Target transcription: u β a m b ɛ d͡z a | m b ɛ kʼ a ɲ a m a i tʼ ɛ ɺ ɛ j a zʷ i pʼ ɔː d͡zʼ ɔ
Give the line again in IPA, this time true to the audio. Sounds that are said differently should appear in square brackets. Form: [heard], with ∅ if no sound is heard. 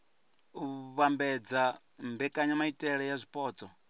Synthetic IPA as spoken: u β a m b ɛ d͡z a | m b ɛ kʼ a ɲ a m a i tʼ ɛ ɺ ɛ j a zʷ i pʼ ɔː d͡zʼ ɔ